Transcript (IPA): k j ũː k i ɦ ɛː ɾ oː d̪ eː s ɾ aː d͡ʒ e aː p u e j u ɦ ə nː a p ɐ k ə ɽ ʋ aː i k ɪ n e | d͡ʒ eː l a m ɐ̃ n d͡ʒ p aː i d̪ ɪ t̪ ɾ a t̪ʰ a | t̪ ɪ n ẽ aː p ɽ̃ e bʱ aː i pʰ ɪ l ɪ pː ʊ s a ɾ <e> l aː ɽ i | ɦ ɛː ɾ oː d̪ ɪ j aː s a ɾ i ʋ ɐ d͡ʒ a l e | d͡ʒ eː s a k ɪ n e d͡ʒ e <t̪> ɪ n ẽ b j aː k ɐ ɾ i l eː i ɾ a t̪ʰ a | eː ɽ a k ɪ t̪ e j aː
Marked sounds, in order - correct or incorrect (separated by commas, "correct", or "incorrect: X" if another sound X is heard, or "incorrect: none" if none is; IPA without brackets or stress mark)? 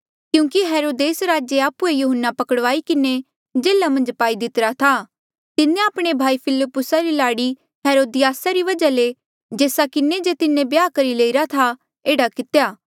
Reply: incorrect: i, correct